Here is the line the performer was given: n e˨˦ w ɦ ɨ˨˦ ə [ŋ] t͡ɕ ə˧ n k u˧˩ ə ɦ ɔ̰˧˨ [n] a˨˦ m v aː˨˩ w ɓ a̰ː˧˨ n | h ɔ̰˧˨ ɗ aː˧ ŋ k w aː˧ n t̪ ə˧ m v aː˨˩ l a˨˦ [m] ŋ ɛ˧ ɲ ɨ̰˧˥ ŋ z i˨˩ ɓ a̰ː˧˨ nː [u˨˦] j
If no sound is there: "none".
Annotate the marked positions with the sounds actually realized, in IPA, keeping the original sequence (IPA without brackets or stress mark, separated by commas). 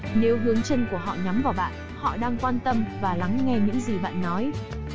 ŋ, ɲ, ŋ, ɔ˨˦